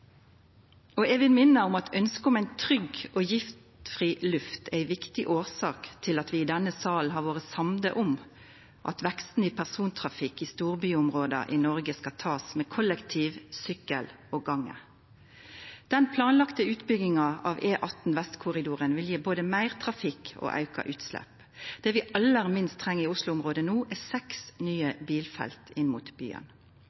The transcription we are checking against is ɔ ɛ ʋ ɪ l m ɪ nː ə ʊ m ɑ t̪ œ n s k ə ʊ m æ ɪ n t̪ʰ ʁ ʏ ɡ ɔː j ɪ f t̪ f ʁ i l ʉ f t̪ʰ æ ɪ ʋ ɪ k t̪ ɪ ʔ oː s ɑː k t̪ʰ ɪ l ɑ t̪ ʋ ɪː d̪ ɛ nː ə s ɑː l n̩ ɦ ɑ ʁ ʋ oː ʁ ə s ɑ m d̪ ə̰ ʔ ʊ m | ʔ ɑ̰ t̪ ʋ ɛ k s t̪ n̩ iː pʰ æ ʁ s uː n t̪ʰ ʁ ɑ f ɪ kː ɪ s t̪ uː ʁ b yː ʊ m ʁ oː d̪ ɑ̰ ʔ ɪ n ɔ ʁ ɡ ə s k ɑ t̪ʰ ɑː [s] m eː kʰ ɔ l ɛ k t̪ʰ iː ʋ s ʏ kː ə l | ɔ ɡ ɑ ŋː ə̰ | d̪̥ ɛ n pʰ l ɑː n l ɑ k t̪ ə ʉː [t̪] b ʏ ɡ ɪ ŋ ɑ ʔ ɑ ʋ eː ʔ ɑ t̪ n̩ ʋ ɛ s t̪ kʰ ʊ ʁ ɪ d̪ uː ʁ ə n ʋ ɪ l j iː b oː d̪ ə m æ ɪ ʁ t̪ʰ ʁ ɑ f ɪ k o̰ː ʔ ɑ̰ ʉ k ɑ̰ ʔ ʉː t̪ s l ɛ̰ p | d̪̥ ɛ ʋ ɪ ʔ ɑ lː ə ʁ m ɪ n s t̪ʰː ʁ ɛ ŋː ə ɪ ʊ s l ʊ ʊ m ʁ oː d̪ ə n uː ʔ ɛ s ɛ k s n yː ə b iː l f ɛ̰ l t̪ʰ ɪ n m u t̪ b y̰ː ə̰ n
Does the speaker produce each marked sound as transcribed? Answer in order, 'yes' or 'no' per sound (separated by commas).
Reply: yes, yes